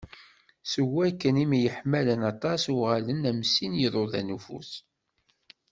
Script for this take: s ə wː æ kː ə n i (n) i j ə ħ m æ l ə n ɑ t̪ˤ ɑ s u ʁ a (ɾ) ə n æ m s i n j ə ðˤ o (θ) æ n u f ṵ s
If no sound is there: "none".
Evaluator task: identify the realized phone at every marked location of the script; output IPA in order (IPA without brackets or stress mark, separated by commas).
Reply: m, l, ð